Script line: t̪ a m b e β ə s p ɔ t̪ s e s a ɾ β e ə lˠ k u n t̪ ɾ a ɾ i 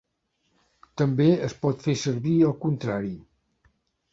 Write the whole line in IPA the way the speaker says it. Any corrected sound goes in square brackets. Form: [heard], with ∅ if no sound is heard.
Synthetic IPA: t̪ [ə] m b e [∅] ə s p ɔ t̪ [f] e s [ə] ɾ β [i] ə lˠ k u n t̪ ɾ a ɾ i